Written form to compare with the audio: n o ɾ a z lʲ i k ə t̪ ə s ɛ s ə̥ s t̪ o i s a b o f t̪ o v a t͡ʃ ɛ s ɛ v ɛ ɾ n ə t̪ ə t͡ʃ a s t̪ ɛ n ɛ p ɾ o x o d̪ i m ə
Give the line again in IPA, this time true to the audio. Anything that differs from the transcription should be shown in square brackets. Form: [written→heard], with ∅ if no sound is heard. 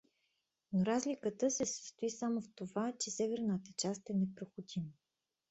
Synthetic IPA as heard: n o ɾ a z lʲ i k ə t̪ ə s ɛ s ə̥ s t̪ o i s a [b→m] o f t̪ o v a t͡ʃ ɛ s ɛ v ɛ ɾ n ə t̪ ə t͡ʃ a s t̪ ɛ n ɛ p ɾ o x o d̪ i m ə